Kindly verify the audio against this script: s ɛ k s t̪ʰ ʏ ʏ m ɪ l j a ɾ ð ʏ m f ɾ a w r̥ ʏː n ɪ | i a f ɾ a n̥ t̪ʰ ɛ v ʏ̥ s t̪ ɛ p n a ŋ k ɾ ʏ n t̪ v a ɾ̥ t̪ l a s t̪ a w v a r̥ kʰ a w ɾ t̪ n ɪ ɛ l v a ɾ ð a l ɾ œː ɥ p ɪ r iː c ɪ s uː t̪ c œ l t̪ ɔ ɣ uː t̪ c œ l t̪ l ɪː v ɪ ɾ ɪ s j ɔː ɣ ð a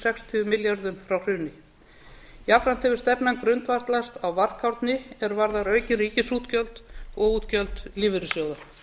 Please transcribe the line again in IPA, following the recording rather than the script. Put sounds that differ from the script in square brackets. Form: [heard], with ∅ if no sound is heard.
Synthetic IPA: s ɛ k s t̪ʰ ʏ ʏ m ɪ l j a ɾ ð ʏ m f ɾ a w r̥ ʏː n ɪ | i a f ɾ a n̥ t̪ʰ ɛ v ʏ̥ s t̪ ɛ p n a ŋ k ɾ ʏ n t̪ v a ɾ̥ t̪ l a s t̪ a w v a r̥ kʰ a w ɾ t̪ n ɪ ɛ [ɾ] v a ɾ ð a [∅] ɾ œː ɥ [c] ɪ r iː c ɪ s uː t̪ c œ l t̪ ɔ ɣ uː t̪ c œ l t̪ l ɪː v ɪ ɾ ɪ s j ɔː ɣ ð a